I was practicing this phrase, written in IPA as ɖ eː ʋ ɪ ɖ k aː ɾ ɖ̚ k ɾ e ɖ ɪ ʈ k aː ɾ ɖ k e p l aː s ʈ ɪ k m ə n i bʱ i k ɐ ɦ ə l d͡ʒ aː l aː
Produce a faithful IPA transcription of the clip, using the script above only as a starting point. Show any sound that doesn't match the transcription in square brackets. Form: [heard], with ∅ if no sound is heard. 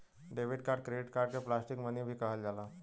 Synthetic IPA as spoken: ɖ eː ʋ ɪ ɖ k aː ɾ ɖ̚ k ɾ e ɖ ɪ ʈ k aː ɾ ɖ k e p l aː s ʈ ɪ k m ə n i bʱ i k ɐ ɦ ə l d͡ʒ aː l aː